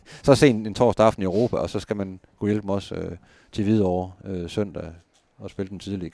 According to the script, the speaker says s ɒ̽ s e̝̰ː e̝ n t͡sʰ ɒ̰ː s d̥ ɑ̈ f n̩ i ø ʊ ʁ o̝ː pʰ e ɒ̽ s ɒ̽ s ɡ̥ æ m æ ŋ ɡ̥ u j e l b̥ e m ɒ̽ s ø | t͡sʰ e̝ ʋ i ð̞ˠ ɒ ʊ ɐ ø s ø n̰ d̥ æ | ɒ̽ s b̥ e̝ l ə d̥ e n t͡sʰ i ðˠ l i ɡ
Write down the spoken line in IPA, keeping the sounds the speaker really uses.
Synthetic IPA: s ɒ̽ s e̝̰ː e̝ n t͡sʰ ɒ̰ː s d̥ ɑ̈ f n̩ i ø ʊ ʁ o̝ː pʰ æ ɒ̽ s ɒ̽ s ɡ̥ æ m æ n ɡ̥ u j e l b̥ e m ɒ̽ s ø | t͡sʰ e̝ ʋ i ð̞ˠ ɒ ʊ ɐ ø s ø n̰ d̥ æ | ɒ̽ s b̥ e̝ l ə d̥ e n t͡sʰ i ðˠ l i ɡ